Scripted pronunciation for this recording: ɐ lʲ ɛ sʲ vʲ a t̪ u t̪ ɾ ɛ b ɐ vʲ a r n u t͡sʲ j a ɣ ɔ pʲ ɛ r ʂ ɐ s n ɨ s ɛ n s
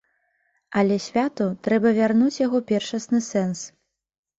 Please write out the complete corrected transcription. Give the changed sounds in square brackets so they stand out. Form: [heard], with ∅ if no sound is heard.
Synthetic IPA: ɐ lʲ ɛ sʲ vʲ a t̪ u t̪ ɾ ɛ b ɐ vʲ a r n u t͡sʲ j a ɣ ɔ pʲ ɛ r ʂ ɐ s n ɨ s ɛ n s